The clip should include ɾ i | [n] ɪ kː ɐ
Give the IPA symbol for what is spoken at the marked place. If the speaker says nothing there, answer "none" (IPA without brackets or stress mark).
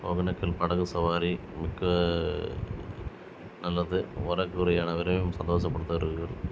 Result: m